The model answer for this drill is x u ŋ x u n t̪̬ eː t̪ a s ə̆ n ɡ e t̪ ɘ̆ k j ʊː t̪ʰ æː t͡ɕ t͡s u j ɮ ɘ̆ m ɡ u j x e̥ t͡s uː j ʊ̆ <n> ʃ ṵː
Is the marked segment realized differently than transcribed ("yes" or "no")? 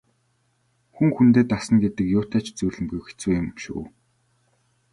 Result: yes